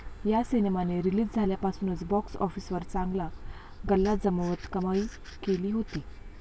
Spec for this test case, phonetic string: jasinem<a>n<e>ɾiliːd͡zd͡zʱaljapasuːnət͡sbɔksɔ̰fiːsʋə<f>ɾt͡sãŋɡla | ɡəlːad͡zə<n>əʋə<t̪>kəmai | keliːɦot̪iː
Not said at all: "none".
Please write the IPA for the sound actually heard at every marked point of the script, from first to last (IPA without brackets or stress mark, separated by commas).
a, e, none, m, t̪